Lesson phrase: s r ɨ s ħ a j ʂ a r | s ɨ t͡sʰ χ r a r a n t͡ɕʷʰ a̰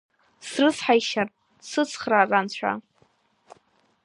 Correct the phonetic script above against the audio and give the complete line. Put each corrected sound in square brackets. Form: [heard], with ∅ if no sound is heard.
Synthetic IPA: s r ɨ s ħ a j [ʃ] a r | s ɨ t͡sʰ χ r a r a n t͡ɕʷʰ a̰